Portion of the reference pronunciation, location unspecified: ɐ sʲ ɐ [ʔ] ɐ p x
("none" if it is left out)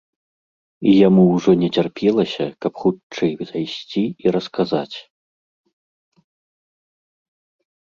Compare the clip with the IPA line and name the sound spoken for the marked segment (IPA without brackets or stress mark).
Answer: k